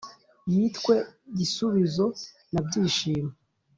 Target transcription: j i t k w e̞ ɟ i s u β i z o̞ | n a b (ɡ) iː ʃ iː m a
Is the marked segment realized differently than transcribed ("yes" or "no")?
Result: yes